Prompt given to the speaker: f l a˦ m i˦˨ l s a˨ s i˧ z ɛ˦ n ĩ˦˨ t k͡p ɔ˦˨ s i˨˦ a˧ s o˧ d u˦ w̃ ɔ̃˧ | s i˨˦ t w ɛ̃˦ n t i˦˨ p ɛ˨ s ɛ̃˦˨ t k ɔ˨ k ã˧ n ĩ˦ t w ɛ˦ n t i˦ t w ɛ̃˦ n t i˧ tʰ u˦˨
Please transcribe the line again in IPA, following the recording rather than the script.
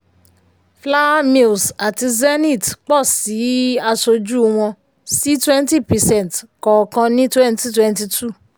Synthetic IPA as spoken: f l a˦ m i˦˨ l s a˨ t i˧ z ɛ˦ n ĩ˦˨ t k͡p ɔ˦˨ s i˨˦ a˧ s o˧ d͡ʒ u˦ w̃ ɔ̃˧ | s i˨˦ t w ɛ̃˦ n t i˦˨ p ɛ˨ s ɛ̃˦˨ t k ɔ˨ k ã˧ n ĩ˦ t w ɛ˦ n t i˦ t w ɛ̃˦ n t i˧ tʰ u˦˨

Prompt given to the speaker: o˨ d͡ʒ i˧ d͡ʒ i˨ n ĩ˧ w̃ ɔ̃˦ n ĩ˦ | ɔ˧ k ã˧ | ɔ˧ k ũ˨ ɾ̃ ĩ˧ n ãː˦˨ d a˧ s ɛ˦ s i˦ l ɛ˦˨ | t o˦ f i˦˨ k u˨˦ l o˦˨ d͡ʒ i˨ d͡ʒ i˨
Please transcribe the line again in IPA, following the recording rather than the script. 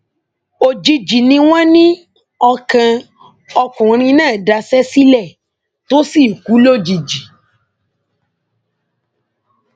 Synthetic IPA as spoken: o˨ d͡ʒ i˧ d͡ʒ i˨ n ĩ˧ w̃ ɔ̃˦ n ĩ˦ | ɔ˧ k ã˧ | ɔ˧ k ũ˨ ɾ̃ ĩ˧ n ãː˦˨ d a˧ s ɛ˦ s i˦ l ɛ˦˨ | t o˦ s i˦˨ k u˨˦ l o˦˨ d͡ʒ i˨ d͡ʒ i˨

